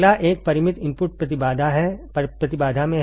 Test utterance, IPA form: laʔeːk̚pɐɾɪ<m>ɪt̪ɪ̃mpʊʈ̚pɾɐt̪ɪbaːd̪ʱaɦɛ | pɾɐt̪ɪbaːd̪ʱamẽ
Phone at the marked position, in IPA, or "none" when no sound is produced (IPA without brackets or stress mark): m